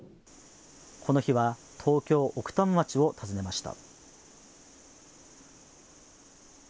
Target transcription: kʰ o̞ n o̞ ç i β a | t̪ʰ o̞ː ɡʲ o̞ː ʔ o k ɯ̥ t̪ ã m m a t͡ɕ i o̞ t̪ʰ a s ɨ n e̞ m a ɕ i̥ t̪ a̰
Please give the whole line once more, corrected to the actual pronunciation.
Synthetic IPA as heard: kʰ o̞ n o̞ ç i β a | t̪ʰ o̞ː kʲ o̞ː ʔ o k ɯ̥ t̪ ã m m a t͡ɕ i o̞ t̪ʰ a z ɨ n e̞ m a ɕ i̥ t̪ a̰